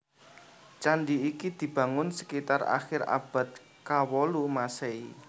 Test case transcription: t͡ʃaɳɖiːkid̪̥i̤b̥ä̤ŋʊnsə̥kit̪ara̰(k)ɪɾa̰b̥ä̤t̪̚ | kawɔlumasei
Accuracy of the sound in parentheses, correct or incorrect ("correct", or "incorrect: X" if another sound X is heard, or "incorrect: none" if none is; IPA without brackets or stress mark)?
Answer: incorrect: x